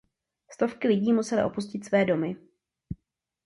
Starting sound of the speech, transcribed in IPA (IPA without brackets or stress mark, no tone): s